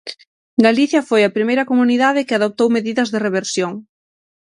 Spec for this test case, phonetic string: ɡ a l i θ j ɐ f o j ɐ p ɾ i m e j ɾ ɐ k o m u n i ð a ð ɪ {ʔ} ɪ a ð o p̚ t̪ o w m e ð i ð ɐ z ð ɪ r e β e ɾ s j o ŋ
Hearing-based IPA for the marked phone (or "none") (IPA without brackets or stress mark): k